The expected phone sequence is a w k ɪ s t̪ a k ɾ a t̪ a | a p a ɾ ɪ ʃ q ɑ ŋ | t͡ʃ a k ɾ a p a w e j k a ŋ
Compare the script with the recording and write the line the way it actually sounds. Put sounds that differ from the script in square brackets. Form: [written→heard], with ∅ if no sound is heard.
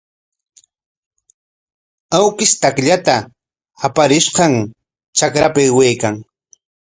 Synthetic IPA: a w k ɪ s t̪ a k [ɾ→ʎ] a t̪ a | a p a ɾ ɪ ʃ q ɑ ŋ | t͡ʃ a k ɾ a p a w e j k a ŋ

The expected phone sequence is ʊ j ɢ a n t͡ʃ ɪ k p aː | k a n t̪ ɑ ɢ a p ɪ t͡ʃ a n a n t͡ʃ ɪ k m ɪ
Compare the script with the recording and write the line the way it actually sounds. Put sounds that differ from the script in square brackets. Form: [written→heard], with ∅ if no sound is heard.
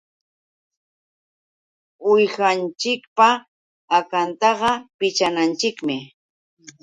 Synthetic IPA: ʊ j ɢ a n t͡ʃ ɪ k p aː | k a n t̪ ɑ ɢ [a→ɑ] p ɪ t͡ʃ a n a n t͡ʃ ɪ k m ɪ

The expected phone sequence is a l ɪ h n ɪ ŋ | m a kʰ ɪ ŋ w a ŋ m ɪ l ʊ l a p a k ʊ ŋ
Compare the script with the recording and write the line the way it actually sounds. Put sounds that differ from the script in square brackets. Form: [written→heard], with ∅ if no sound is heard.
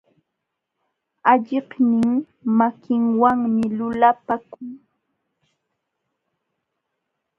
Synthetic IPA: a [l→ʎ] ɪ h n ɪ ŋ | m a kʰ ɪ ŋ w a ŋ m ɪ l ʊ l a p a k ʊ ŋ

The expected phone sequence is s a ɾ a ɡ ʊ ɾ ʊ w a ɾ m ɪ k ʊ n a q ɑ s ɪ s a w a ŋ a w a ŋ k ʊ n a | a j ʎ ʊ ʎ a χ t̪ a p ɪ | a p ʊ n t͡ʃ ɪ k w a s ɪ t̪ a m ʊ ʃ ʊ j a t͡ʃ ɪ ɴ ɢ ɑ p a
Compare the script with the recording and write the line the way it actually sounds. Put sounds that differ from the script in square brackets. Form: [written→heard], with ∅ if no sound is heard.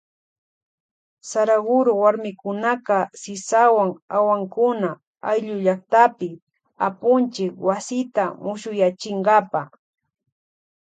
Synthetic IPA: s a ɾ a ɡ ʊ ɾ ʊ w a ɾ m ɪ k ʊ n a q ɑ s ɪ s a w a ŋ a w a ŋ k ʊ n a | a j ʎ ʊ ʎ a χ t̪ a p ɪ | a p ʊ n t͡ʃ ɪ k w a s ɪ t̪ a m ʊ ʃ ʊ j a t͡ʃ ɪ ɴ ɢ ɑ p a

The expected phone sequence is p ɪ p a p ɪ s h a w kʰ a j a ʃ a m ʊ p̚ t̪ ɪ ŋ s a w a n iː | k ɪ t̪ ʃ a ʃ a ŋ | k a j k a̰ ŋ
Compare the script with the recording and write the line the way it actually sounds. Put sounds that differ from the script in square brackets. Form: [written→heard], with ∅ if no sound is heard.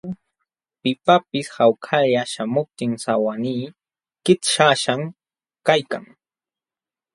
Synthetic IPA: p ɪ p a p ɪ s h a w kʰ a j a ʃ a m ʊ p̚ t̪ ɪ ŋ s a w a n iː | k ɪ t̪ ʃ a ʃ a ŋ | k a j k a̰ ŋ

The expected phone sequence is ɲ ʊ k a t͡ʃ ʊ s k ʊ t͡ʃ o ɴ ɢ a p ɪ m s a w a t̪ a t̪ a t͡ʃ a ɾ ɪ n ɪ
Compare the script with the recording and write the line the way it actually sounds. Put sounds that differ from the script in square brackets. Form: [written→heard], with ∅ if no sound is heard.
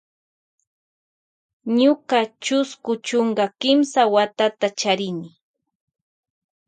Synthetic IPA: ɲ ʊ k a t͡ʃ ʊ s k ʊ t͡ʃ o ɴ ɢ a [p→k] ɪ m s a w a t̪ a t̪ a t͡ʃ a ɾ ɪ n ɪ

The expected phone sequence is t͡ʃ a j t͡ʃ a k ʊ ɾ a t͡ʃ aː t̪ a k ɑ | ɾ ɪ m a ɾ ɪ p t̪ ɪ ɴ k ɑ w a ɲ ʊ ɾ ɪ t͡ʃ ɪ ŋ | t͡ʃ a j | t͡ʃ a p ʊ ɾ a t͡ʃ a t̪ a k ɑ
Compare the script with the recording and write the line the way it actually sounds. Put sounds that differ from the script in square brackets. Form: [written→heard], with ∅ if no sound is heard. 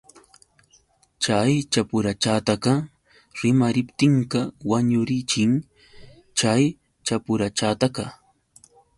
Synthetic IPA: t͡ʃ a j t͡ʃ a [k→p] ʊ ɾ a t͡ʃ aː t̪ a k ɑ | ɾ ɪ m a ɾ ɪ p t̪ ɪ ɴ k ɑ w a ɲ ʊ ɾ ɪ t͡ʃ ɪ ŋ | t͡ʃ a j | t͡ʃ a p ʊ ɾ a t͡ʃ a t̪ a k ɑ

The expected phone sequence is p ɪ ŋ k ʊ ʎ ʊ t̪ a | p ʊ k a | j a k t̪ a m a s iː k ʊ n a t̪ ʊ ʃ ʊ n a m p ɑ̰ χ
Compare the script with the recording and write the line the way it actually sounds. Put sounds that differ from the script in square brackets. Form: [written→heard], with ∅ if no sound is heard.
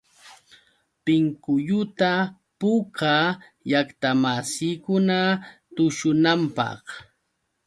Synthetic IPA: p ɪ ŋ k ʊ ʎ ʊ t̪ a | p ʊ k a | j a k t̪ a m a s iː k ʊ n a t̪ ʊ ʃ ʊ n a m p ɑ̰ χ

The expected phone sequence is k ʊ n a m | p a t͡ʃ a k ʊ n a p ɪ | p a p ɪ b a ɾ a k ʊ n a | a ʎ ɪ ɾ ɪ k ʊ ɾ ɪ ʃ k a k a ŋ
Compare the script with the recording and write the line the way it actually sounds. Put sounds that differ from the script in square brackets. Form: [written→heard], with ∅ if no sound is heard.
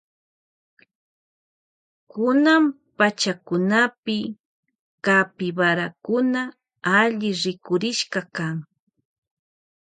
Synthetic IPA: k ʊ n a m | p a t͡ʃ a k ʊ n a p ɪ | [p→k] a p ɪ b a ɾ a k ʊ n a | a ʎ ɪ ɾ ɪ k ʊ ɾ ɪ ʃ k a k a ŋ

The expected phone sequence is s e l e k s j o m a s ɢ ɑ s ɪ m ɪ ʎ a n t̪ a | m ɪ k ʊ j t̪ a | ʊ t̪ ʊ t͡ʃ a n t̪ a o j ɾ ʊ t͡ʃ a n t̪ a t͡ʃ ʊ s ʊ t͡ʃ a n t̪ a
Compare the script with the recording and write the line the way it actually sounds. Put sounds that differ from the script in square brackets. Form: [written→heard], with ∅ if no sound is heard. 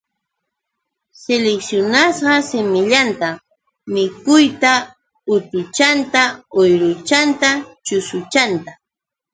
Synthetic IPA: s e l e k s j o [m→n] a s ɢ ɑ s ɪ m ɪ ʎ a n t̪ a | m ɪ k ʊ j t̪ a | ʊ t̪ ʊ t͡ʃ a n t̪ a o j ɾ ʊ t͡ʃ a n t̪ a t͡ʃ ʊ s ʊ t͡ʃ a n t̪ a

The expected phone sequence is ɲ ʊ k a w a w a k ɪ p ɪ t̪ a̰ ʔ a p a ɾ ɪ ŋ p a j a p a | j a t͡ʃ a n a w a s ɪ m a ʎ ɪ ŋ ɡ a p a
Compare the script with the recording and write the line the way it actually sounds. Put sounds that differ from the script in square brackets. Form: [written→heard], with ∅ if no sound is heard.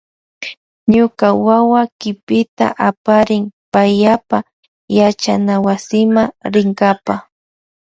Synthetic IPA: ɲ ʊ k a w a w a k ɪ p ɪ t̪ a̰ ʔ a p a ɾ ɪ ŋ p a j a p a | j a t͡ʃ a n a w a s ɪ m a [ʎ→ɾ] ɪ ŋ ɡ a p a

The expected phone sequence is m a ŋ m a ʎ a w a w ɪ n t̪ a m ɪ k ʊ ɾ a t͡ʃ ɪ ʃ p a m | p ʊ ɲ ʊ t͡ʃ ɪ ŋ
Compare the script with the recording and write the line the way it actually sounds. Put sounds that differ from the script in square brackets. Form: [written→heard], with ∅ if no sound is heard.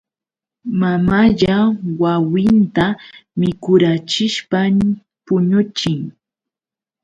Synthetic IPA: m a [ŋ→∅] m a ʎ a w a w ɪ n t̪ a m ɪ k ʊ ɾ a t͡ʃ ɪ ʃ p a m | p ʊ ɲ ʊ t͡ʃ ɪ ŋ

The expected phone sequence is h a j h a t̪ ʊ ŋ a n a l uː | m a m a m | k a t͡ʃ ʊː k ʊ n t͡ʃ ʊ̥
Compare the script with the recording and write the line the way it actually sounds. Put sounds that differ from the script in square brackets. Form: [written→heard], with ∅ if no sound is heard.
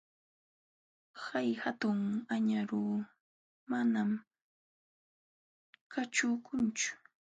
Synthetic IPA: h a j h a t̪ ʊ ŋ a [n→ɲ] a [l→ɾ] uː | m a [m→n] a m | k a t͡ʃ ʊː k ʊ n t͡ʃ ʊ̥

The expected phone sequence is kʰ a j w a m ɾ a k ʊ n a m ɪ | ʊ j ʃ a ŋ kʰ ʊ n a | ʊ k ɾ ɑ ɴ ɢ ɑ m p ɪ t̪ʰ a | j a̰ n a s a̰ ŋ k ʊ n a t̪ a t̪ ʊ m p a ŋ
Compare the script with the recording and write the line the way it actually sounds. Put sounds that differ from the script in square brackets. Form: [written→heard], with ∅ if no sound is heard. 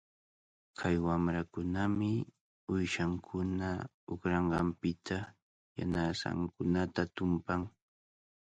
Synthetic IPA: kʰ a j w a m ɾ a k ʊ n a m ɪ | ʊ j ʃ a ŋ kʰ ʊ n a | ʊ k ɾ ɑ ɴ ɢ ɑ m p ɪ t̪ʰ a | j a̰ n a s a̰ ŋ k ʊ n a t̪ a t̪ ʊ m p a ŋ

